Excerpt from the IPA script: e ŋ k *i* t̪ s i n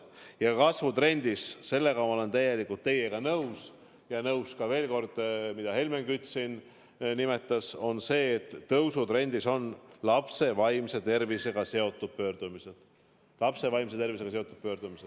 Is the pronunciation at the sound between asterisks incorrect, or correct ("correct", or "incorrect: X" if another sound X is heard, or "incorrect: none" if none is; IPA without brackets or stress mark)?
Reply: incorrect: y